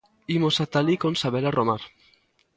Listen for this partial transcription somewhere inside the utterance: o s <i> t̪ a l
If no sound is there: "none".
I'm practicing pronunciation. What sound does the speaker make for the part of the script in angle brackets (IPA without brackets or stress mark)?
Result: a